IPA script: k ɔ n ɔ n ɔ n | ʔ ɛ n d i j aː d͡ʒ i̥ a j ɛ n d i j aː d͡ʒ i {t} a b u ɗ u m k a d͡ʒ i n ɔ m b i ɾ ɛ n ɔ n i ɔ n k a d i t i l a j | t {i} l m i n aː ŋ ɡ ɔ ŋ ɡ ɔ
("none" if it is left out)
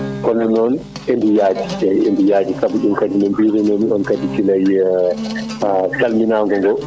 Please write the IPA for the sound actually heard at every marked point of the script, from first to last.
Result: k, a

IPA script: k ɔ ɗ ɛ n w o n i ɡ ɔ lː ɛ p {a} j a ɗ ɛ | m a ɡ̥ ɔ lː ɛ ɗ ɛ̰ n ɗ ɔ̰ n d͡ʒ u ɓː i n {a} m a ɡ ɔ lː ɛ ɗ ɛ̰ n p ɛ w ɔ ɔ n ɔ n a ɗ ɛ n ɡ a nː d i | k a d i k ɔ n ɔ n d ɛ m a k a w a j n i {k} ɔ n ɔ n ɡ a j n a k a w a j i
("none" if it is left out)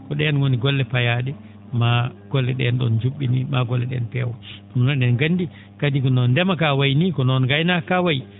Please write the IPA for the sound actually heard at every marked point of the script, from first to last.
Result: a, i, k

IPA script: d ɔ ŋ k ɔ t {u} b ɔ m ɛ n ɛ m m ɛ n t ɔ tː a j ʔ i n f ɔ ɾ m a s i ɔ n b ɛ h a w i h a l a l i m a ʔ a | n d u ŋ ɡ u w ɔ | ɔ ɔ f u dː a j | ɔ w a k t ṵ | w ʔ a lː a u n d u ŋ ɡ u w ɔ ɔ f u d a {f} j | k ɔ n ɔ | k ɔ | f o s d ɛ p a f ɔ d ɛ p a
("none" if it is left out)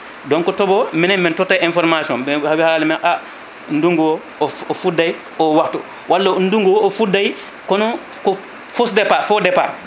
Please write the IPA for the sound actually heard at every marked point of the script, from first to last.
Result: ɔ, none

